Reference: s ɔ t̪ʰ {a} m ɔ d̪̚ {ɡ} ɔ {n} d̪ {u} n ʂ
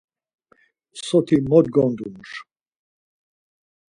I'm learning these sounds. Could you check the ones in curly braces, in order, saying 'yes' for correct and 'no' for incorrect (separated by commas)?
no, yes, yes, yes